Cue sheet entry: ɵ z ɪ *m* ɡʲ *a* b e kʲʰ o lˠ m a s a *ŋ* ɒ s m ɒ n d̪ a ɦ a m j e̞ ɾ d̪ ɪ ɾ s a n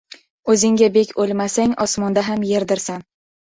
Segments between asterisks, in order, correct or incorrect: incorrect: ŋ, correct, correct

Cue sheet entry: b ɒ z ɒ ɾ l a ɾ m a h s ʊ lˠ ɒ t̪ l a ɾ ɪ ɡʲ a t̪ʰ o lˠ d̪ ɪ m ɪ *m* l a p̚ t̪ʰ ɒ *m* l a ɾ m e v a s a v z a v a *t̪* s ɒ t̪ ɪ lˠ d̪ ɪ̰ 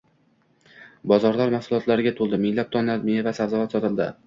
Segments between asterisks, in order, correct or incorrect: incorrect: ŋ, incorrect: n, correct

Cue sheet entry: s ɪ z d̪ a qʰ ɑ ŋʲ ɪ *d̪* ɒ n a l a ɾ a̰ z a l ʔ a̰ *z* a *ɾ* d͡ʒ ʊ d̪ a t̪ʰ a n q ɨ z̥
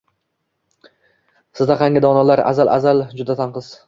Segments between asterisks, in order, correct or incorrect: correct, correct, incorrect: l

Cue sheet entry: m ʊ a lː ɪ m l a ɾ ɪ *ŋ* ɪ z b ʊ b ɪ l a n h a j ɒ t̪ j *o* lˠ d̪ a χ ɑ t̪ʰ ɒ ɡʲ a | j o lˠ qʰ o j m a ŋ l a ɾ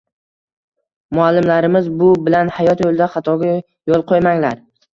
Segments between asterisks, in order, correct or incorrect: incorrect: m, correct

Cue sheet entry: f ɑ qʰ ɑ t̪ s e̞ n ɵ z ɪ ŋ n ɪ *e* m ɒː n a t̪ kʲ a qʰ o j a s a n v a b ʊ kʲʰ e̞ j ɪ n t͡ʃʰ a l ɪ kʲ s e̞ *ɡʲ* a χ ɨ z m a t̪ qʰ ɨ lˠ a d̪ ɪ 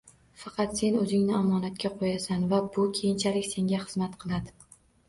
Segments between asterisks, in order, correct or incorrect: incorrect: a, incorrect: ŋʲ

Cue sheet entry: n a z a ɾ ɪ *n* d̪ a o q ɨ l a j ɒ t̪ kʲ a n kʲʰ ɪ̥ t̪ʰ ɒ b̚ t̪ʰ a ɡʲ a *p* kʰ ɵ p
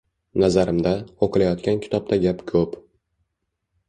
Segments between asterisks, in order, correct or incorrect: incorrect: m, correct

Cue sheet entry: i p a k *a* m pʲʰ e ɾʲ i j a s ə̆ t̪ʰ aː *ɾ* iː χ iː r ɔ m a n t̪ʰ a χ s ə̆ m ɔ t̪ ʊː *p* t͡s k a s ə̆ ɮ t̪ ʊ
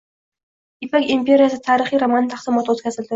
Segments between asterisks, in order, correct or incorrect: incorrect: i, correct, incorrect: none

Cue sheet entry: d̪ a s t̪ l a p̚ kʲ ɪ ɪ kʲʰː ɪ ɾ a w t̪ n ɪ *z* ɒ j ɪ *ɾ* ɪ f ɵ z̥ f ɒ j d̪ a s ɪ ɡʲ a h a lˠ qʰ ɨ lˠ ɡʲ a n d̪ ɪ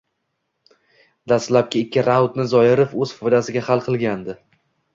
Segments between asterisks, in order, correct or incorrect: correct, correct

